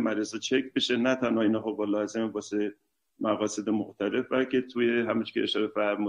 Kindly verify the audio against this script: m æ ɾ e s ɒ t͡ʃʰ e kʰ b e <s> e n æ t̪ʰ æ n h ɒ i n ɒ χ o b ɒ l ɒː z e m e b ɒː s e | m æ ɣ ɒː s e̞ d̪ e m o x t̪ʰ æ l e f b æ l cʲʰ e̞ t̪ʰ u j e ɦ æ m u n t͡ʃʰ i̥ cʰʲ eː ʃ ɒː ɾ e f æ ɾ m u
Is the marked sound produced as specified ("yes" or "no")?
no